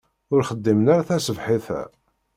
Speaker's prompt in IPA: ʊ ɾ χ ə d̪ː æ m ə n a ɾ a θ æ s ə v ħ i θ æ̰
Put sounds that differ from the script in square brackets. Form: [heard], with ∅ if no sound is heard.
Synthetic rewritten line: ʊ ɾ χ ə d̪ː [i] m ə n a ɾ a θ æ s ə v ħ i θ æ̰